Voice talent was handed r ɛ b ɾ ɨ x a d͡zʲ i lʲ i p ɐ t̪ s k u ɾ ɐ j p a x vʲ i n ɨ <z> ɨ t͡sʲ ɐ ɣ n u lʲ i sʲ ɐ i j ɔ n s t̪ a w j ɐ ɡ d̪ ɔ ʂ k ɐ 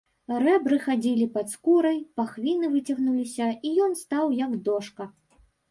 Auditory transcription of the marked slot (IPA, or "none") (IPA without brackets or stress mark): v